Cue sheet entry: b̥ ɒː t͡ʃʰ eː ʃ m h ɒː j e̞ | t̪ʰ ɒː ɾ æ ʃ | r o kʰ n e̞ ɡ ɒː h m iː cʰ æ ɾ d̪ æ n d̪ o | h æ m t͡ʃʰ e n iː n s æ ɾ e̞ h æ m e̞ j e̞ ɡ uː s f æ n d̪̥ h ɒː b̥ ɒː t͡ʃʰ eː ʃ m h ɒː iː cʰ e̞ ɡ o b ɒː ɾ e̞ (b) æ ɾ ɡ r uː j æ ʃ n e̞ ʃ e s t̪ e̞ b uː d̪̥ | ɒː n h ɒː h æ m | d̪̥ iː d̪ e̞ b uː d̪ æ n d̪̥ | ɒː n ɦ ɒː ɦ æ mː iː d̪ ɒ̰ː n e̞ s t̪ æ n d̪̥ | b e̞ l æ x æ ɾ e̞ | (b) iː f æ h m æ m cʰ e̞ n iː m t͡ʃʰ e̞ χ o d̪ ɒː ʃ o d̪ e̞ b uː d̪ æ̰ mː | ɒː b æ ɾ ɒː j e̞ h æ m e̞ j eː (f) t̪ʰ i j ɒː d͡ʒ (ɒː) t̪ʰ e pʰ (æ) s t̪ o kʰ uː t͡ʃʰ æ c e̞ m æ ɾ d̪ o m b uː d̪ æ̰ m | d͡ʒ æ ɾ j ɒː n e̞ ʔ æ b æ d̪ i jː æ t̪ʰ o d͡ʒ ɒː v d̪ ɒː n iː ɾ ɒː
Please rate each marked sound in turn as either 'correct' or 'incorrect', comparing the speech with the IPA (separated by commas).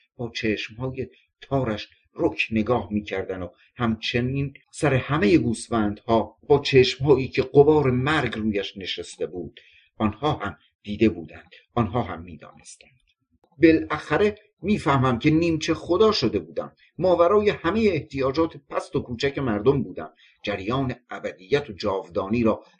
incorrect, incorrect, incorrect, correct, correct